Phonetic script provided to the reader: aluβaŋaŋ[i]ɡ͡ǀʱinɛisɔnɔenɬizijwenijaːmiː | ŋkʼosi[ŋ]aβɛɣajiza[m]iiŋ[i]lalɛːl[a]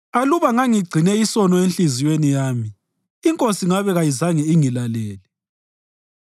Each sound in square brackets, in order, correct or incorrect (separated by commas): correct, correct, incorrect, correct, incorrect